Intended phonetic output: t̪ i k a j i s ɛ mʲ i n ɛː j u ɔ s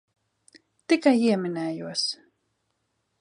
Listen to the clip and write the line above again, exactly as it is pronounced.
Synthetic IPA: t̪ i k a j i ɛ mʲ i n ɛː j u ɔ s

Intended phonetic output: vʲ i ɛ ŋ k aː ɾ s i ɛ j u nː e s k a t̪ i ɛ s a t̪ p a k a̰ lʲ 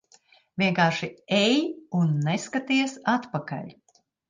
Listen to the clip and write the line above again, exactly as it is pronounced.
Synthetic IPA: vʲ i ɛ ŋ k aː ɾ ʃ i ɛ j u nː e s k a t̪ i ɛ s a t̪ p a k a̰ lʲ

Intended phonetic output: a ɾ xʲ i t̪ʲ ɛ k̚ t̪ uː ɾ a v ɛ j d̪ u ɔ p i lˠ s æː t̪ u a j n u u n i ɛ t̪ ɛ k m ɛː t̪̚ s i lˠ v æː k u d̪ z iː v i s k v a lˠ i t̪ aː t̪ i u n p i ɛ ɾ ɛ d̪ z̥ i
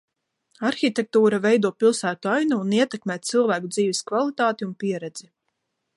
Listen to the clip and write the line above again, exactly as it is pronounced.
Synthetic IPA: a ɾ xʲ i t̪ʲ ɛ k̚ t̪ uː ɾ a v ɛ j d̪ u ɔ p i lˠ s æː t̪ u a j n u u n i ɛ t̪ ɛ k m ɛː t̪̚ s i lˠ v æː k u d̪ z iː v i s k v a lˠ i t̪ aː t̪ i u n p i ɛ ɾ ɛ d̪ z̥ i

